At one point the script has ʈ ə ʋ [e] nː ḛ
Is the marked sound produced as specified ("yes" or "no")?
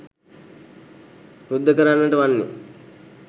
no